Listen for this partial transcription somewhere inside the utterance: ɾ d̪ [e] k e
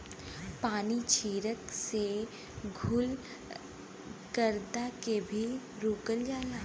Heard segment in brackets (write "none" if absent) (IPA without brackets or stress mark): a